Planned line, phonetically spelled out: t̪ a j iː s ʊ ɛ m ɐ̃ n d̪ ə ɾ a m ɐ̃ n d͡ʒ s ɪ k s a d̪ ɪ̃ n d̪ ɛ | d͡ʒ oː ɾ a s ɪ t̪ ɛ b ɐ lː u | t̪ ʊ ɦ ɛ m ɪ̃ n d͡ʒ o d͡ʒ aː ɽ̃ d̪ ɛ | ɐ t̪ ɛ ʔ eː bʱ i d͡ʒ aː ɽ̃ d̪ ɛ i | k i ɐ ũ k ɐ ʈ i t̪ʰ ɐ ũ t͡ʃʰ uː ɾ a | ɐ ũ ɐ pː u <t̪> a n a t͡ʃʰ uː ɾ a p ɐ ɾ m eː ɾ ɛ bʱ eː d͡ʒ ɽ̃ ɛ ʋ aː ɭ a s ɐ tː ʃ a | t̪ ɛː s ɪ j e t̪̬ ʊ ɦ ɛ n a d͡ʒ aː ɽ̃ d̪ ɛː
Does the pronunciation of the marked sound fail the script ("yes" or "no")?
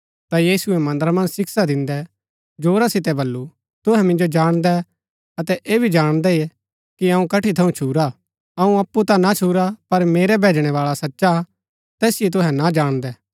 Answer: no